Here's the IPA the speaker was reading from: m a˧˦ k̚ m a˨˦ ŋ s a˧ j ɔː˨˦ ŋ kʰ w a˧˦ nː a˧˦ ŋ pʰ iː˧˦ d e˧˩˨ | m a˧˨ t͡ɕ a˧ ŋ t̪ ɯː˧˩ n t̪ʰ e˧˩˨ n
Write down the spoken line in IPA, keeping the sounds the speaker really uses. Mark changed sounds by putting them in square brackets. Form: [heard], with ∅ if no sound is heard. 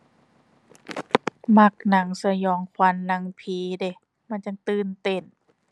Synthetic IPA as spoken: m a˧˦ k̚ [n] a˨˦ ŋ s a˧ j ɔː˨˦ ŋ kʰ w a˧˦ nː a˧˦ ŋ pʰ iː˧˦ d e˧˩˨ | m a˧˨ t͡ɕ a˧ ŋ t̪ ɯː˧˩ n [t̪] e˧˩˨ n